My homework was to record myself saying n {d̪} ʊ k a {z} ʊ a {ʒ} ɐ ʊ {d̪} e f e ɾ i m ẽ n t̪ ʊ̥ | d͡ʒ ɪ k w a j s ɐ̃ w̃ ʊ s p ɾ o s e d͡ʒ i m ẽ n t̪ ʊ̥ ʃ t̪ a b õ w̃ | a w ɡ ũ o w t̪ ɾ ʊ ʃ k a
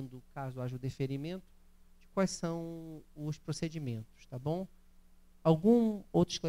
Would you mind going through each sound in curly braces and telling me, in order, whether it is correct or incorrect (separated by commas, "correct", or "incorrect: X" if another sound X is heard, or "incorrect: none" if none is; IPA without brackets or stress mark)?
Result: correct, correct, correct, correct